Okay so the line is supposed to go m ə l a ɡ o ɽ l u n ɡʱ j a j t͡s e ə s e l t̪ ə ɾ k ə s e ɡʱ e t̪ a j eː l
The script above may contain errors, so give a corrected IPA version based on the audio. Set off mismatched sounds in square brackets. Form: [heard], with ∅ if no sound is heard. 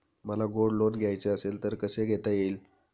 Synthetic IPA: m ə l a ɡ o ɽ l [o] n ɡʱ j a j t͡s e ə s e l t̪ ə ɾ k ə s e ɡʱ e t̪ a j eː l